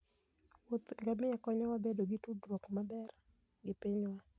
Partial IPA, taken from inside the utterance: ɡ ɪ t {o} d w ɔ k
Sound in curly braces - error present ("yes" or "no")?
yes